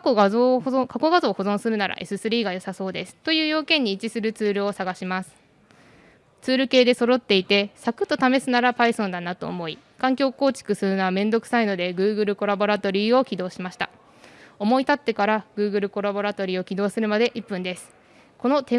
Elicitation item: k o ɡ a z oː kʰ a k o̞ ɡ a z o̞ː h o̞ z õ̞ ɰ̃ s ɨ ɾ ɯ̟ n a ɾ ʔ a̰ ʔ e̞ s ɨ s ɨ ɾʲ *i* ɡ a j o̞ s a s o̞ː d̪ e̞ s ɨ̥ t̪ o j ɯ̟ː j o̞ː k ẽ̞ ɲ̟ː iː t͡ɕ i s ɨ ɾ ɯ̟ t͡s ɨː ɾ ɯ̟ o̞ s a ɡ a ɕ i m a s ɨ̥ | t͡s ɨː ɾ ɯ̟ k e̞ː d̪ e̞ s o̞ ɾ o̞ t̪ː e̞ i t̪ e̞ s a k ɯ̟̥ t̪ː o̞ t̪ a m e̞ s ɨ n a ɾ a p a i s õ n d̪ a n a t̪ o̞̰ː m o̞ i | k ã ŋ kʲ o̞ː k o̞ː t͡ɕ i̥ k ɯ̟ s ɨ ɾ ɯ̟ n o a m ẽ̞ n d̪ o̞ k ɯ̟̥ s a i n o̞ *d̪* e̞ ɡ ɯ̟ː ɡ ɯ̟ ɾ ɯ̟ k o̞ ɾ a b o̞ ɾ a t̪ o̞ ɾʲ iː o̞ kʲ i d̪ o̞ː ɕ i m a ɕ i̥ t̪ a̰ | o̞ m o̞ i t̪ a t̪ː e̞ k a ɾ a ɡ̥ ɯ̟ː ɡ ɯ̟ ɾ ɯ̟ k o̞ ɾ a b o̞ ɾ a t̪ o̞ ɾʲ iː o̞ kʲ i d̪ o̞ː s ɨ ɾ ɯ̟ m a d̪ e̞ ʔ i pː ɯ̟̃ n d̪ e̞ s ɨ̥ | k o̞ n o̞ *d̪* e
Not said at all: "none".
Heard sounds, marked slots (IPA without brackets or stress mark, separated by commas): iː, d̪, t̪